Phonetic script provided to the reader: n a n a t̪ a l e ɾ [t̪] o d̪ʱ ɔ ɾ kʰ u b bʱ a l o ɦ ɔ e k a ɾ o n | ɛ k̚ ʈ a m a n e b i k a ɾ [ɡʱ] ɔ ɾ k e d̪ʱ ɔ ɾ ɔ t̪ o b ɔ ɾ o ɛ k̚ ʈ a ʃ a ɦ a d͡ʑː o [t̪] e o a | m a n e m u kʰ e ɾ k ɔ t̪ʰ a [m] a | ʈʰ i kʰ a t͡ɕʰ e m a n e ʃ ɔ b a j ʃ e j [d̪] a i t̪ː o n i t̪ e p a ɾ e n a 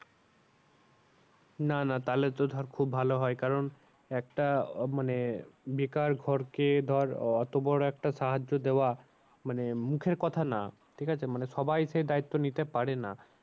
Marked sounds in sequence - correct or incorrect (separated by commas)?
correct, correct, incorrect, incorrect, correct